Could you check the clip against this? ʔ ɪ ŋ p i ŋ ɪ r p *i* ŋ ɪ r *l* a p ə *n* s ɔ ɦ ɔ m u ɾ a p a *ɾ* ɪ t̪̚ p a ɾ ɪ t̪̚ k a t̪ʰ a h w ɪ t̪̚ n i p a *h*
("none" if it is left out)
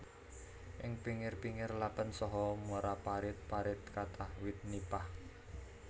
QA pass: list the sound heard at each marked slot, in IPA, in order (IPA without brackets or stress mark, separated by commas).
i, l, n, ɾ, h